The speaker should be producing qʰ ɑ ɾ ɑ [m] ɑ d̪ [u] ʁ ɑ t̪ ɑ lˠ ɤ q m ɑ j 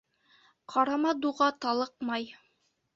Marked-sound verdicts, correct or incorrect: correct, correct

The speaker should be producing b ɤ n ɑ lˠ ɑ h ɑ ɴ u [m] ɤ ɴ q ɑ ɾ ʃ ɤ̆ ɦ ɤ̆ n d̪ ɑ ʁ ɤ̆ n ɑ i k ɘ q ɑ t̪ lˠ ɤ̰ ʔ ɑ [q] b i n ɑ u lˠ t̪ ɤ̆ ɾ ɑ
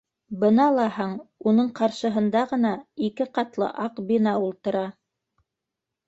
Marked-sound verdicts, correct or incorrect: incorrect: n, correct

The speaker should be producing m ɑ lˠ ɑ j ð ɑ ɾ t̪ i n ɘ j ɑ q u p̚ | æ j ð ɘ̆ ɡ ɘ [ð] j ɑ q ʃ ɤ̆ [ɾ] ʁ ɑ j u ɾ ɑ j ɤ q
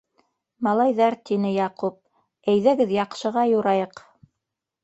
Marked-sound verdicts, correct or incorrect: correct, incorrect: none

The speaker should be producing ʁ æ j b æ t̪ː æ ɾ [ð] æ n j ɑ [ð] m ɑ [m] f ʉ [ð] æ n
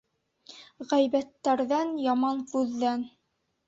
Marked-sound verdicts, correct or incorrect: correct, incorrect: none, incorrect: n, incorrect: ðː

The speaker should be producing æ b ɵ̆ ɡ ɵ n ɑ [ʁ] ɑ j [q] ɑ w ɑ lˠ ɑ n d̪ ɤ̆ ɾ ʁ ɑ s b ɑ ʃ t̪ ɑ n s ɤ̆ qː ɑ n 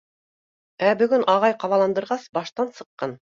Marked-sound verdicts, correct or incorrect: correct, correct

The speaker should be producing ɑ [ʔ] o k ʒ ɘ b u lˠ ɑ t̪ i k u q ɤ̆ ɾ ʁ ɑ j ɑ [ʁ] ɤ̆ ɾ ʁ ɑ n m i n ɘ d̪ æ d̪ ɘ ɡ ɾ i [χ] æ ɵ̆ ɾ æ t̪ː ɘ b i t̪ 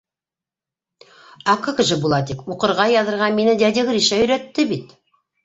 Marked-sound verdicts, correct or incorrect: incorrect: k, incorrect: ð, incorrect: ʃ

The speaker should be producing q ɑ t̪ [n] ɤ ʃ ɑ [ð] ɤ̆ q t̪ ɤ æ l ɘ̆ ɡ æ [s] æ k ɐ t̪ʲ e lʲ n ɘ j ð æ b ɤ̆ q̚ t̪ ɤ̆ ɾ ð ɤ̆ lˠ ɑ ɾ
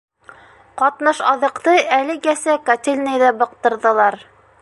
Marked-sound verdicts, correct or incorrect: correct, correct, correct

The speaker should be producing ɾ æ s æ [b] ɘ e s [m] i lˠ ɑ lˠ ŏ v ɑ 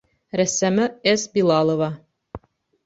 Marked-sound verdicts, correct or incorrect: incorrect: m, incorrect: b

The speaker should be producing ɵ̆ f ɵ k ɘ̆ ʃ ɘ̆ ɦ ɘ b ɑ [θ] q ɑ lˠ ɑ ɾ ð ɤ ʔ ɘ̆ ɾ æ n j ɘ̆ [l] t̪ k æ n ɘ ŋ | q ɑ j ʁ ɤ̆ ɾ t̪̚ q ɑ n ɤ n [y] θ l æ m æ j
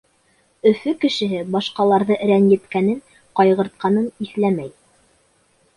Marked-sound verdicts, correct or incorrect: incorrect: ʃ, incorrect: none, incorrect: i

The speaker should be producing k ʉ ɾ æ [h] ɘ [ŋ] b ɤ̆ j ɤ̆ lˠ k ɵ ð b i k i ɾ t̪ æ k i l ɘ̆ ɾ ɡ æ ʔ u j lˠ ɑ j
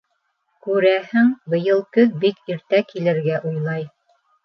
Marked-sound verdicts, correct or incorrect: correct, correct

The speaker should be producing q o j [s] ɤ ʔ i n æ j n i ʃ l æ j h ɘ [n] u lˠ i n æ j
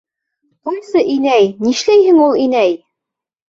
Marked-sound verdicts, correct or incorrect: correct, incorrect: ŋ

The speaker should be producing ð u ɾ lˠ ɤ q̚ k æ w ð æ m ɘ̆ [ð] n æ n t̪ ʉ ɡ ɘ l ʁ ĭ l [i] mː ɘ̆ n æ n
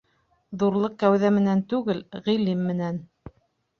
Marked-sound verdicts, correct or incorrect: incorrect: none, correct

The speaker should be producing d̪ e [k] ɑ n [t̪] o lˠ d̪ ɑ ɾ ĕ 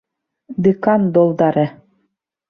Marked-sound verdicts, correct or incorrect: correct, incorrect: d̪

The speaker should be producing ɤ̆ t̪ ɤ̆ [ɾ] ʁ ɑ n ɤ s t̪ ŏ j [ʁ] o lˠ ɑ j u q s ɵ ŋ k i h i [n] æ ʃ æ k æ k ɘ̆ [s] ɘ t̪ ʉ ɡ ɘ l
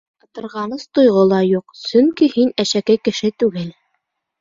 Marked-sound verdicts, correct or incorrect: correct, correct, correct, incorrect: ʃ

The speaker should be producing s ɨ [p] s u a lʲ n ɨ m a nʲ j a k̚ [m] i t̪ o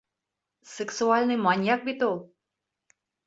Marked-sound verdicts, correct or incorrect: incorrect: k, incorrect: b

